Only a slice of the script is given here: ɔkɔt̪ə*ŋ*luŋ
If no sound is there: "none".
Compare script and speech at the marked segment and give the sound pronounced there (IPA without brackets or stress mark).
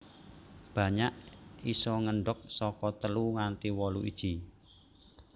none